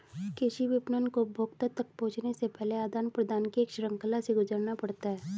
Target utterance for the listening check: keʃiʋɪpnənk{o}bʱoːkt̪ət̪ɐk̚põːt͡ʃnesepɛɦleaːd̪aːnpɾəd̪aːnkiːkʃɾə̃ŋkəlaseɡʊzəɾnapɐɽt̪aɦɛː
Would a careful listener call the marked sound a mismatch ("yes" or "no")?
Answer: no